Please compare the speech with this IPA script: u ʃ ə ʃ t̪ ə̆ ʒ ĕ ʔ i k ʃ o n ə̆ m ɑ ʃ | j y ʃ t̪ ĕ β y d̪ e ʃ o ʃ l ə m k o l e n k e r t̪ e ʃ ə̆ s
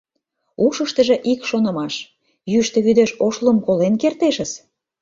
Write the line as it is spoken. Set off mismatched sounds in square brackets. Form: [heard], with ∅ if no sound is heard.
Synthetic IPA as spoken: u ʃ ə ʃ t̪ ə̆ ʒ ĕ ʔ i k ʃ o n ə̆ m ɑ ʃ | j y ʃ t̪ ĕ β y d̪ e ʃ o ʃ l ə m k o l e n k e r t̪ e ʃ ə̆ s